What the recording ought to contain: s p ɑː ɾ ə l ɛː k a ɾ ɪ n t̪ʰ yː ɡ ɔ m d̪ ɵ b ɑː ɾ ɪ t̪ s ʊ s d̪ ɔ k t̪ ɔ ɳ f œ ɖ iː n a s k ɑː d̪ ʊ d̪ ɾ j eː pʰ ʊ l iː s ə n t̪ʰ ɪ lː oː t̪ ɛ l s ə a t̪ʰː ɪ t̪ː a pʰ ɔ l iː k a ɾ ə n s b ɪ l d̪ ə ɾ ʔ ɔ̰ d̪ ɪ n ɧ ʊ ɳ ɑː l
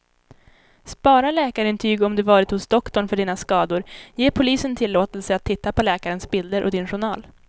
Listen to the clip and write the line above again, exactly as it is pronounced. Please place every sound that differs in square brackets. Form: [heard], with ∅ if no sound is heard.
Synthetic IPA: s p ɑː ɾ [a] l ɛː k a ɾ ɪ n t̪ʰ yː ɡ ɔ m d̪ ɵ [v] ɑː ɾ ɪ t̪ [h] ʊ s d̪ ɔ k t̪ ɔ ɳ f œ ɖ iː n a s k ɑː d̪ ʊ [∅] ɾ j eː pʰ ʊ l iː s ə n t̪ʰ ɪ lː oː t̪ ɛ l s ə a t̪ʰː ɪ t̪ː a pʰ ɔ l [ɛː] k a ɾ ə n s b ɪ l d̪ ə ɾ ʔ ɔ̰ d̪ ɪ n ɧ ʊ ɳ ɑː l